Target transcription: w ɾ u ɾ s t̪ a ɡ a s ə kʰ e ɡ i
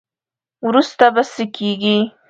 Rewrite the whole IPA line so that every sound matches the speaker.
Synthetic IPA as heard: w ɾ u s t̪ a b a s ə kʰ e ɡ i